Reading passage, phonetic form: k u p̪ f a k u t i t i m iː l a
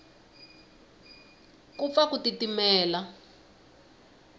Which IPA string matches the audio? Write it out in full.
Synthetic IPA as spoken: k u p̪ f a k u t i t i m ɛː l a